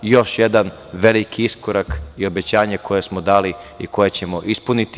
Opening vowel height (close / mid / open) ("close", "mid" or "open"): mid